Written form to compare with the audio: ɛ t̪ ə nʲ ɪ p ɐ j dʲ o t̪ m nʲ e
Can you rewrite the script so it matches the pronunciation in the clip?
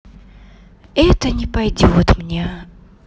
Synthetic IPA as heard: ɛ t̪ ə nʲ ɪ p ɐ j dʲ o t̪ m nʲ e